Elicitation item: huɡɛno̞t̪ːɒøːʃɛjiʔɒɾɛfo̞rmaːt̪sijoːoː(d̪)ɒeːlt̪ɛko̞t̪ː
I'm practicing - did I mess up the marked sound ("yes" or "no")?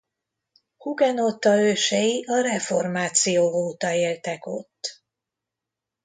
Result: yes